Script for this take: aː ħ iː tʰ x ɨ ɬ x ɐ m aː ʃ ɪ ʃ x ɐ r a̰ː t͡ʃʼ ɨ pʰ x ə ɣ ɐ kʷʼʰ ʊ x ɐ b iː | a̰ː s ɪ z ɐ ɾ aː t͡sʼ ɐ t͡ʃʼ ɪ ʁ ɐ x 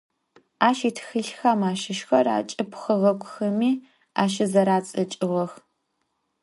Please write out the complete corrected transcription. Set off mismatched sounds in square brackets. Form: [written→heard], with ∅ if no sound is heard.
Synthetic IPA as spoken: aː [ħ→ʃ] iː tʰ x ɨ ɬ x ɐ m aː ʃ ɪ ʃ x ɐ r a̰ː t͡ʃʼ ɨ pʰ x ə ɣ ɐ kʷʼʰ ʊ x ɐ [b→m] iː | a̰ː [s→ʃ] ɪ z ɐ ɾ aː t͡sʼ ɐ t͡ʃʼ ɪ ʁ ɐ x